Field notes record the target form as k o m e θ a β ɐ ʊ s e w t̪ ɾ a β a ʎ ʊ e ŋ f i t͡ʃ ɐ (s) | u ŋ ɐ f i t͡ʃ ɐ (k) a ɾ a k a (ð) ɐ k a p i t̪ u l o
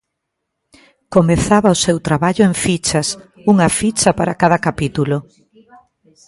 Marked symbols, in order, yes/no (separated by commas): yes, no, yes